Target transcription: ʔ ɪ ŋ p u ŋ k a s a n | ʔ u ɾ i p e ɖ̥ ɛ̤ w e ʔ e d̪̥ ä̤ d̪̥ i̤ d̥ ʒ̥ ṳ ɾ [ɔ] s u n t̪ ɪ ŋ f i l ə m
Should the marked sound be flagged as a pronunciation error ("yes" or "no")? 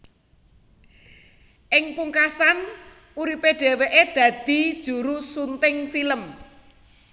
yes